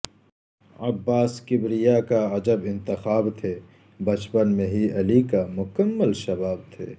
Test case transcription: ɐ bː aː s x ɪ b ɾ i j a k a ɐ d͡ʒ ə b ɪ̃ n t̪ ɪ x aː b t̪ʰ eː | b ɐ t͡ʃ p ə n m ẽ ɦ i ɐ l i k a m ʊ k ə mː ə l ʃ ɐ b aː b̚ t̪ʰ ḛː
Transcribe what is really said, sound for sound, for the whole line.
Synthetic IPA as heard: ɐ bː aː s k ɪ b ɾ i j a k a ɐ d͡ʒ ə b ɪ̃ n t̪ ɪ x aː b t̪ʰ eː | b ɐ t͡ʃ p ə n m ẽ ɦ i ɐ l i k a m ʊ k ə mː ə l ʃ ɐ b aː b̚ t̪ʰ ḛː